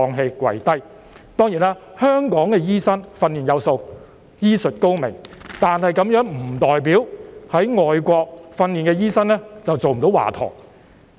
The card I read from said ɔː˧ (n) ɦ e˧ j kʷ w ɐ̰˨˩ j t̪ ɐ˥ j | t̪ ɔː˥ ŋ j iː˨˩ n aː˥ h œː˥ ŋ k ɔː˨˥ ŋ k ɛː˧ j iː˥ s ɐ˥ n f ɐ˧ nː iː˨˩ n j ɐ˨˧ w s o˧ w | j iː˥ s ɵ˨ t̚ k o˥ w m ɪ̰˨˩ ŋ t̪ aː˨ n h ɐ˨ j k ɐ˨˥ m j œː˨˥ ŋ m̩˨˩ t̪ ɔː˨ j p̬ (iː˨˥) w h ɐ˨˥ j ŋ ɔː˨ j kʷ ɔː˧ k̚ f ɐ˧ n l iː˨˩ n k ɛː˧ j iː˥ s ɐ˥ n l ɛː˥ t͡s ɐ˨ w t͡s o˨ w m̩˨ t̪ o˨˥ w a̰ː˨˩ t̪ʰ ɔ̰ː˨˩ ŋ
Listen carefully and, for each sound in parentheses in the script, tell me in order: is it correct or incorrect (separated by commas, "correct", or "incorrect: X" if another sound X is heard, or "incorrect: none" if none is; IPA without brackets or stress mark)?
incorrect: ŋ, correct